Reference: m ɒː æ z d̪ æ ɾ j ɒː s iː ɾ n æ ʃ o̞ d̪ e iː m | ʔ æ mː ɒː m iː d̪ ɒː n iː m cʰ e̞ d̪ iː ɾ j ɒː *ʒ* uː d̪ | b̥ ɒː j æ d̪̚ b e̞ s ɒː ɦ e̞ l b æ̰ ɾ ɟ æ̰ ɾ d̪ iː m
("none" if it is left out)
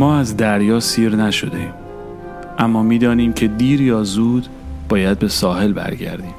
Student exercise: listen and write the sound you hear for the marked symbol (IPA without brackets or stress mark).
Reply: z